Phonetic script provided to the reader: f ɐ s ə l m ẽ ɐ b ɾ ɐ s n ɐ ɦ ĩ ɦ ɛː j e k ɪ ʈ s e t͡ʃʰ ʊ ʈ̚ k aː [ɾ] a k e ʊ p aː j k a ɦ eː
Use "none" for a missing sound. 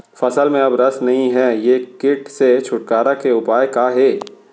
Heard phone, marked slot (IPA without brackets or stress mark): ɾ